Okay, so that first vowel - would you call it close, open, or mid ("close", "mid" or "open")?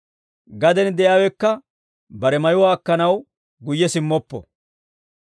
open